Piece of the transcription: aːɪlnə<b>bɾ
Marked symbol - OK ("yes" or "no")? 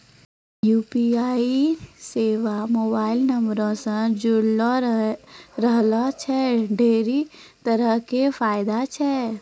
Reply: no